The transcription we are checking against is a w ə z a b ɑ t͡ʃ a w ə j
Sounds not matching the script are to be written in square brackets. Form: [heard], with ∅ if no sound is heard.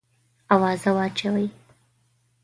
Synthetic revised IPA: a w [ɑ] z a [w] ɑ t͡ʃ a w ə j